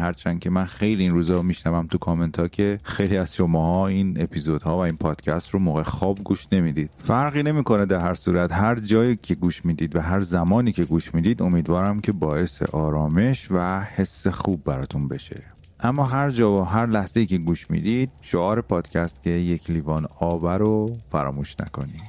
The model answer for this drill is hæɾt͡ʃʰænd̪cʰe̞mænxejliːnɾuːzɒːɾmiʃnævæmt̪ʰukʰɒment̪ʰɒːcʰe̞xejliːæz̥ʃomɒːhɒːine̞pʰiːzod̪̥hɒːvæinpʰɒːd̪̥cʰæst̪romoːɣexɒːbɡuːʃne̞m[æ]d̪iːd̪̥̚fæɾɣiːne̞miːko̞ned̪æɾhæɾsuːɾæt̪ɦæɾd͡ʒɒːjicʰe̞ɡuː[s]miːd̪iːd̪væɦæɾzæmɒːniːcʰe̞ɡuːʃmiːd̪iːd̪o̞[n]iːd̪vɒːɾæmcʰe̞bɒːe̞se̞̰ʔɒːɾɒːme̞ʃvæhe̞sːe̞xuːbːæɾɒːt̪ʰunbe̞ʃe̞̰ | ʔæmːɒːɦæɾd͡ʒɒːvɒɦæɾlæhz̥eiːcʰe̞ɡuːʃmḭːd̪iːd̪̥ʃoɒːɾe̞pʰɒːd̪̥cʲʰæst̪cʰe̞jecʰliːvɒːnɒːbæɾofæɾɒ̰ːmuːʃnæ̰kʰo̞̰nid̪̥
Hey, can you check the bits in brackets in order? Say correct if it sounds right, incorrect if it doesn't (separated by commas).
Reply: incorrect, incorrect, incorrect